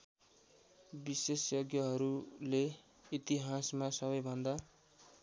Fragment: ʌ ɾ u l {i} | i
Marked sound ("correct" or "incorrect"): incorrect